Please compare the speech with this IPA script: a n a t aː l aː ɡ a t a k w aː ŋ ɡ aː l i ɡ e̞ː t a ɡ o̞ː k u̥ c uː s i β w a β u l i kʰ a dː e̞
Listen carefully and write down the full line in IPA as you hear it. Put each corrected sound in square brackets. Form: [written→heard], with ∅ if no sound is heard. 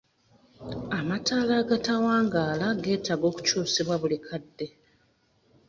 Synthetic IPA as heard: a [n→m] a t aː l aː ɡ a t a [k→∅] w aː ŋ ɡ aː l [i→a] ɡ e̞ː t a ɡ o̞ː k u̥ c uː s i β w a β u l i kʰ a dː e̞